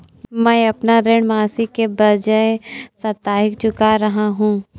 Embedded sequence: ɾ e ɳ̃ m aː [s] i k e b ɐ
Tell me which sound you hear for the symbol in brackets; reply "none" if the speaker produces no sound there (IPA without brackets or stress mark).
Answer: s